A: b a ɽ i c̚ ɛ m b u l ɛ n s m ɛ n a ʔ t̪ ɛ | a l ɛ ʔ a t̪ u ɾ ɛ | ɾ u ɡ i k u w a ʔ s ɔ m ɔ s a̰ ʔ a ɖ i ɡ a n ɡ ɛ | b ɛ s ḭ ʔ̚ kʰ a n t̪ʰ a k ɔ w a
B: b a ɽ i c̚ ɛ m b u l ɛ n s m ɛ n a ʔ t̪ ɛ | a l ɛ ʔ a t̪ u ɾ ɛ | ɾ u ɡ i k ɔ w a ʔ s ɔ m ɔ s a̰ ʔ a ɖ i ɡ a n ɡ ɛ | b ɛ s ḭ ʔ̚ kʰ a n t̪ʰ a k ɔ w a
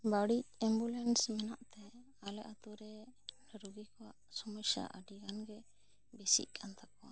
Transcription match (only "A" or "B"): B